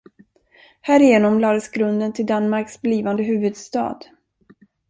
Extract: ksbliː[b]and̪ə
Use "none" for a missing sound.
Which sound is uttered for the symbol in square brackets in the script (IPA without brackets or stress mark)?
v